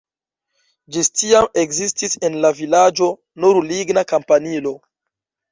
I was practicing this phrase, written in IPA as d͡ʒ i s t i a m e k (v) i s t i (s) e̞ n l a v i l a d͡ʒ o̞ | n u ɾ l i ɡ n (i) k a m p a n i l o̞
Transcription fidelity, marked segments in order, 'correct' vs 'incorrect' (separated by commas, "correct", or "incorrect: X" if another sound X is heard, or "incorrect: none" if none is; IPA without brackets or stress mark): incorrect: z, correct, incorrect: a